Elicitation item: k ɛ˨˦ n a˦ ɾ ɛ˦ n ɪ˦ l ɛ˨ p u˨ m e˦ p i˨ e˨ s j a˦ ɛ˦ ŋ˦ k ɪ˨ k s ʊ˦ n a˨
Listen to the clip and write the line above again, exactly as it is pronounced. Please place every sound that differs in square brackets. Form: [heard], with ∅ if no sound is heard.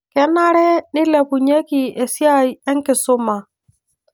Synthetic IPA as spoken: k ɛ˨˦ n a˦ ɾ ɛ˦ n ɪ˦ l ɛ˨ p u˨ [ɲ] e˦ [k] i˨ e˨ s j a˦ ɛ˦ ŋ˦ k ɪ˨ [∅] s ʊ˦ [m] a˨

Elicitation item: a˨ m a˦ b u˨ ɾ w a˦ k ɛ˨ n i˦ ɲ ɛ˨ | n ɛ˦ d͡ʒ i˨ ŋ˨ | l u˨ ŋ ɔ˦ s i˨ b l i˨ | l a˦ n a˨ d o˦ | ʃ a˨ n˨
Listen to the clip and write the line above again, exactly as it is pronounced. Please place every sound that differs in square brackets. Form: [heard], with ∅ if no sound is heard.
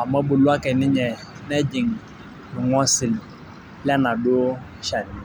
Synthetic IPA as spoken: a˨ m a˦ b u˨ [l] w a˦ k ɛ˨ n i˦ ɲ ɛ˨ | n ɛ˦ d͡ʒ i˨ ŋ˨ | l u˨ ŋ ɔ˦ s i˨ [∅] l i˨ | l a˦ n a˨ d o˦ | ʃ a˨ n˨

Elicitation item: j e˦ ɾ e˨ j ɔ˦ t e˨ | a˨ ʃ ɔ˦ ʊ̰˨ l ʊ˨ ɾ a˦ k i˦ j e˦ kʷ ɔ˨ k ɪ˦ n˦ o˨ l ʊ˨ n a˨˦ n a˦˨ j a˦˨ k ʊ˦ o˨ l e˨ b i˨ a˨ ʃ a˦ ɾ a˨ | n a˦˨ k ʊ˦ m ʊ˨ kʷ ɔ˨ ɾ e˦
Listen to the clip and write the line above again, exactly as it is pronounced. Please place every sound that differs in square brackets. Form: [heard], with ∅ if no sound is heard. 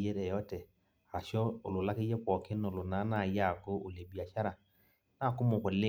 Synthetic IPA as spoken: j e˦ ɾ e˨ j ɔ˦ t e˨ | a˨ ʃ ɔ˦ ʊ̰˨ l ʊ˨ [l] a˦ k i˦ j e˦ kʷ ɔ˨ k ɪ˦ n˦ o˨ l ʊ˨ n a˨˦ n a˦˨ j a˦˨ k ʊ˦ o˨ l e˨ b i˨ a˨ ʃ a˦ ɾ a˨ | n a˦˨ k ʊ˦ m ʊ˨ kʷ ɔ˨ [l] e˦

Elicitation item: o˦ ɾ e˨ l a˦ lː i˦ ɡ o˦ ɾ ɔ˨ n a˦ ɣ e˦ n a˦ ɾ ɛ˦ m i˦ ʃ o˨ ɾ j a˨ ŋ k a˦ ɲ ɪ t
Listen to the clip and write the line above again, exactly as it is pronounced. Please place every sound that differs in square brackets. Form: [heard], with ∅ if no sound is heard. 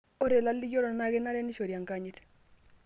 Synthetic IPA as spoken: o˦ ɾ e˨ l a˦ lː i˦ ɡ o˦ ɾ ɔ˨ n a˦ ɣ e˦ n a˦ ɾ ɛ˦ [n] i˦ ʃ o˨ ɾ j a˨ ŋ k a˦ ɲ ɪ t

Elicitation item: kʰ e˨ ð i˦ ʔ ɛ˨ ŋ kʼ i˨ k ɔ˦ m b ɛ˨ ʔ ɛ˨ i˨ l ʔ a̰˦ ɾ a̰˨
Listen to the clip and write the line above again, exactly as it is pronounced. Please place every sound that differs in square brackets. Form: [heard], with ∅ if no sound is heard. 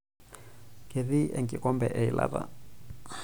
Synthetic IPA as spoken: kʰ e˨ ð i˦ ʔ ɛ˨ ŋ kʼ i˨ k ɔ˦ m b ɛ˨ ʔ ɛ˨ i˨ l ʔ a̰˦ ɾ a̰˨

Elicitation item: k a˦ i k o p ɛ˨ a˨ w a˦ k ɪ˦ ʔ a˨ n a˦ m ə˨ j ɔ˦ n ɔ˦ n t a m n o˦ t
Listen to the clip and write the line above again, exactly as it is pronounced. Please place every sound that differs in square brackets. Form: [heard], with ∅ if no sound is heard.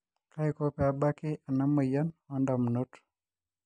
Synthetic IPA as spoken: k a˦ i k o p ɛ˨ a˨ [b] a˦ k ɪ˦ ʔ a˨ n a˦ m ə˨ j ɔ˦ n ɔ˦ n [d] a m n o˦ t

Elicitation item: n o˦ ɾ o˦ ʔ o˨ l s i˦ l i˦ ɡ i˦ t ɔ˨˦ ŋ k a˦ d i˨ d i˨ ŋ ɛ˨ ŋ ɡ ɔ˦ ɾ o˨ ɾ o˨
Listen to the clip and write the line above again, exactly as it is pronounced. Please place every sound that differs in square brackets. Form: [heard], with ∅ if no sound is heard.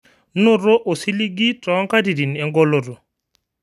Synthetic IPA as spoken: n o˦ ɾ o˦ ʔ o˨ [∅] s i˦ l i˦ ɡ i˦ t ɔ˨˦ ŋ k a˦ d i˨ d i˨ [n] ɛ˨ ŋ ɡ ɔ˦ [l] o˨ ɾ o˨

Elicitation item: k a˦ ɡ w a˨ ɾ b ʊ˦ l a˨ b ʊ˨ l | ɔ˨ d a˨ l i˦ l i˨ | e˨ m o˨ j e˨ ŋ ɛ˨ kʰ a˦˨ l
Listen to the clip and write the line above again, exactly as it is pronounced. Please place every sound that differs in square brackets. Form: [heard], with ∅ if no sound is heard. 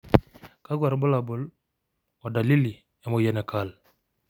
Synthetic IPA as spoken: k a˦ ɡ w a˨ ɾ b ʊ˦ l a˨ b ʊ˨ l | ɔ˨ d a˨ l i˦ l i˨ | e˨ m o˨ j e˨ [n] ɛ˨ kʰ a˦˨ l

